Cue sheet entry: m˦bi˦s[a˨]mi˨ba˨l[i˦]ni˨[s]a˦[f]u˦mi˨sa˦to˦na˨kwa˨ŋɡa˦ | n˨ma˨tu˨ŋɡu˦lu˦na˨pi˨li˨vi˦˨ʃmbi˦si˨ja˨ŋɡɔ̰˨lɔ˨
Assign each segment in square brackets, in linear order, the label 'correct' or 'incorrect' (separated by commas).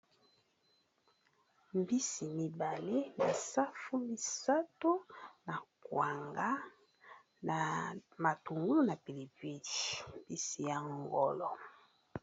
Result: incorrect, incorrect, correct, correct